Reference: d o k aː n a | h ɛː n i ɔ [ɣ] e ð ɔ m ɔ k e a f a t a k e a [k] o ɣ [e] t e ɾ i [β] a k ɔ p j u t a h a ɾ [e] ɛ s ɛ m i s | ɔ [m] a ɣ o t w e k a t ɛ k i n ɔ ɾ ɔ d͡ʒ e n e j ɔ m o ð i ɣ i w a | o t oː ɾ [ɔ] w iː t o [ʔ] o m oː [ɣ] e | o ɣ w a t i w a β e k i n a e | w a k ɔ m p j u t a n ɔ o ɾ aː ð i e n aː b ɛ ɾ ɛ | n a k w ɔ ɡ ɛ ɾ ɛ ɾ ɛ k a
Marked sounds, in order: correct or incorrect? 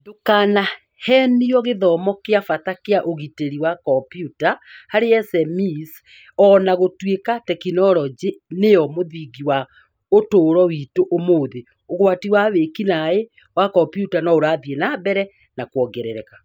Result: correct, incorrect: ʔ, incorrect: i, incorrect: w, correct, incorrect: n, correct, correct, incorrect: ð

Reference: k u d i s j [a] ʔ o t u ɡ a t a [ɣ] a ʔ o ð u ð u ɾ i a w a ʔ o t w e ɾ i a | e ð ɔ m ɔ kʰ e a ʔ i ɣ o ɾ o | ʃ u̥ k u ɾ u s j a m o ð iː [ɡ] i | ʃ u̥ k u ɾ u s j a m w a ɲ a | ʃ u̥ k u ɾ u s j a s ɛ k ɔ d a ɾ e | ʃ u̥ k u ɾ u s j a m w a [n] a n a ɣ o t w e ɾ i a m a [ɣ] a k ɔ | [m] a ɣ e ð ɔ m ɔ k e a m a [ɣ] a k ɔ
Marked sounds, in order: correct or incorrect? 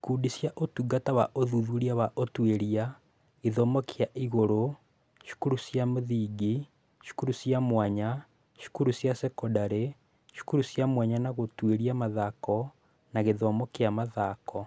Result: correct, incorrect: w, correct, incorrect: ɲ, incorrect: ð, incorrect: n, incorrect: ð

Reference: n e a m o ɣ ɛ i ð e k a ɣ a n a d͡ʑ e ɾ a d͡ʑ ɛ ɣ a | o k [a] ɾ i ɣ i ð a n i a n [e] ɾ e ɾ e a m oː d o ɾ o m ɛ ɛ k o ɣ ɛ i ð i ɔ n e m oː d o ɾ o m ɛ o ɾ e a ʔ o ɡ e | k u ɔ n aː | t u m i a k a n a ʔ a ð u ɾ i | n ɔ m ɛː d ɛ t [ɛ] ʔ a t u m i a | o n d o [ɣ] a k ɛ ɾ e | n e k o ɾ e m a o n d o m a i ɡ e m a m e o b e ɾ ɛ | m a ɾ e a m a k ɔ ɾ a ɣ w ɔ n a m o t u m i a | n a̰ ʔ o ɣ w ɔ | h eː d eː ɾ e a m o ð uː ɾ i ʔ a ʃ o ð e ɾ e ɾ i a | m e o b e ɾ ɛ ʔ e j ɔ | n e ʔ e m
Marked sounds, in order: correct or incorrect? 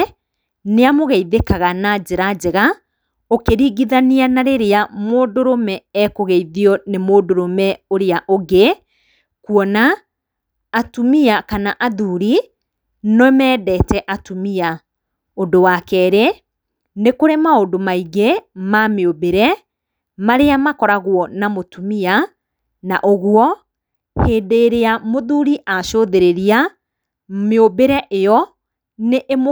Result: incorrect: e, incorrect: a, correct, incorrect: w

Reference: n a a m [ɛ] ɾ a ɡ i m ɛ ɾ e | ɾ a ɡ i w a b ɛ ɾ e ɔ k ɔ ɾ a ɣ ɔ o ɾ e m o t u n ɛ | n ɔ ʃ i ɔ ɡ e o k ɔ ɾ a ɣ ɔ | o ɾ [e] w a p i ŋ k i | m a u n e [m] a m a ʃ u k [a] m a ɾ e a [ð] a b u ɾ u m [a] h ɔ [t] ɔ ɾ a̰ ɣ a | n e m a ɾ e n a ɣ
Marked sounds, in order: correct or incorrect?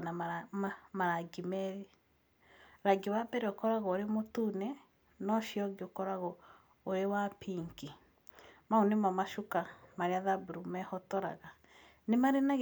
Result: incorrect: a, correct, correct, correct, correct, incorrect: ɛ, correct

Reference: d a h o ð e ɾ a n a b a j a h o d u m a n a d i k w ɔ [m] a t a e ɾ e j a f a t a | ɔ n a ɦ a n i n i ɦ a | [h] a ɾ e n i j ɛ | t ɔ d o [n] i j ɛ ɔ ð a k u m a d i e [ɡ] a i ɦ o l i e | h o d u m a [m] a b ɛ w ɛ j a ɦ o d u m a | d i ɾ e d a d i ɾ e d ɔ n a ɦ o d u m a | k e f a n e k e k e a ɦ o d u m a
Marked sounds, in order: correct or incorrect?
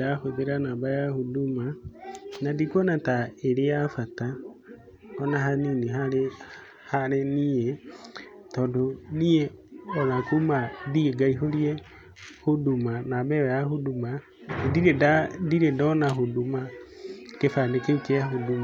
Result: incorrect: n, correct, correct, correct, incorrect: n

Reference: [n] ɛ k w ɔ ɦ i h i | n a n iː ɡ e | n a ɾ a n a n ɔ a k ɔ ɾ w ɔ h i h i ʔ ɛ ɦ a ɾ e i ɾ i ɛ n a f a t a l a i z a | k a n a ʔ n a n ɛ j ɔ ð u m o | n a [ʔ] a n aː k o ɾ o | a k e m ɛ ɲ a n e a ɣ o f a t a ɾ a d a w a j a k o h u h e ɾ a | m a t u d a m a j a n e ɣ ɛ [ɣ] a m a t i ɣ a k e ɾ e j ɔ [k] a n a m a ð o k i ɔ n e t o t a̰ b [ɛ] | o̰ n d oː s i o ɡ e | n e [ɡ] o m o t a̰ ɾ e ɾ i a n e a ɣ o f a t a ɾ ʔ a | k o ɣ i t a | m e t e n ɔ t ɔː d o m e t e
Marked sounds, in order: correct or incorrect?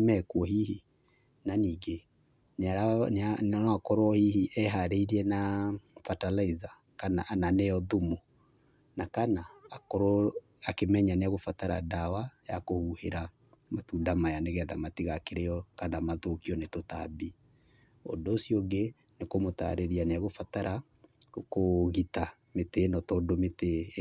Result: incorrect: m, incorrect: k, incorrect: ð, correct, incorrect: i, incorrect: k

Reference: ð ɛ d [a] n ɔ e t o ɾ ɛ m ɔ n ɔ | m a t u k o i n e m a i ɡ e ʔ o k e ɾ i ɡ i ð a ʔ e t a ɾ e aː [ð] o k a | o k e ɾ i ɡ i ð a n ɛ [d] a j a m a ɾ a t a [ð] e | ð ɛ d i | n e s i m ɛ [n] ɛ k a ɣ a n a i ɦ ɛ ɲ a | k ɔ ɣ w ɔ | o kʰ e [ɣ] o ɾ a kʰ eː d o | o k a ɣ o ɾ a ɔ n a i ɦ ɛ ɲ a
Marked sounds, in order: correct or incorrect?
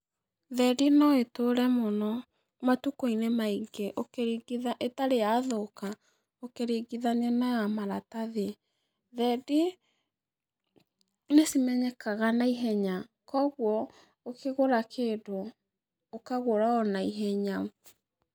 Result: incorrect: i, correct, incorrect: n, correct, incorrect: ɲ, correct

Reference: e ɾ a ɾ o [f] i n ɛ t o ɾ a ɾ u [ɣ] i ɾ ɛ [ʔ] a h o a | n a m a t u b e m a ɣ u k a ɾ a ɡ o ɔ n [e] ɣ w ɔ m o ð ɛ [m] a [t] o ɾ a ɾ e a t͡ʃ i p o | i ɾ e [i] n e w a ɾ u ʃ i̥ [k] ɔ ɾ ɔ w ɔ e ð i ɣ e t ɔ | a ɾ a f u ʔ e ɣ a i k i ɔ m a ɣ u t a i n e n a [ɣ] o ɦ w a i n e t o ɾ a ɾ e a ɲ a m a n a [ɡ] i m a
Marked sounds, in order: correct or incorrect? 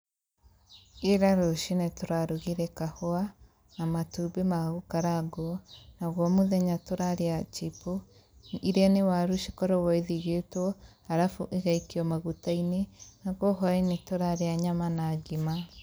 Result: incorrect: ʃ, correct, incorrect: k, incorrect: a, incorrect: ɲ, correct, incorrect: a, correct, correct, correct

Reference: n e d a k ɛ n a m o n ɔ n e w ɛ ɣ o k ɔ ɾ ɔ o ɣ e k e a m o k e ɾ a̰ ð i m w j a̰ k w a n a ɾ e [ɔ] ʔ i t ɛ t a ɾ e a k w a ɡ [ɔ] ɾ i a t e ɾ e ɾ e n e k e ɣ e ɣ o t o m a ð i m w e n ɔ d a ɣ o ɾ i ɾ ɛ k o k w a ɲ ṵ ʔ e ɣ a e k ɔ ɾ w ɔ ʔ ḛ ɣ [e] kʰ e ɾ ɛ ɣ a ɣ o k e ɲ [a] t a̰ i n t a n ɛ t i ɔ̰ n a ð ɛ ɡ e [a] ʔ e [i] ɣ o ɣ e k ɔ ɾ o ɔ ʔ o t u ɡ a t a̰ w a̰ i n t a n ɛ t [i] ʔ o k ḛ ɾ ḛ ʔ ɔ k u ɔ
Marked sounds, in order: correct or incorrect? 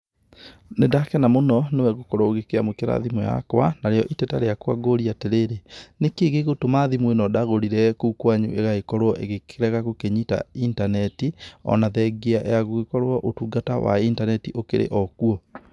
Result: correct, incorrect: o, correct, incorrect: i, correct, incorrect: a, correct

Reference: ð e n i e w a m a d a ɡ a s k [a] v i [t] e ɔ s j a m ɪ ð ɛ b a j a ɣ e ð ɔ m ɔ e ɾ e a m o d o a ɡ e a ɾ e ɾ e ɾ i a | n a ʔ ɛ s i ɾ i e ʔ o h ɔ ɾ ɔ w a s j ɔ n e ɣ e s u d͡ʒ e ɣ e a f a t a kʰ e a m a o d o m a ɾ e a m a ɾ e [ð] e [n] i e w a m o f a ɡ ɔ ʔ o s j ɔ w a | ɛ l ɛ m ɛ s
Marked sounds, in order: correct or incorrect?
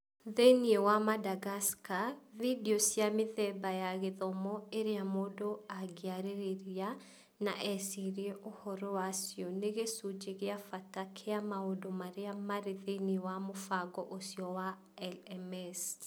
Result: correct, incorrect: d, correct, correct

